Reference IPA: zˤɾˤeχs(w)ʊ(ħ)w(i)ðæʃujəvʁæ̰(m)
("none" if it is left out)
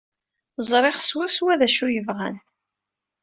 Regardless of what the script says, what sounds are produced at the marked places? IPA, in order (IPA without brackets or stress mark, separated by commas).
w, s, æ, n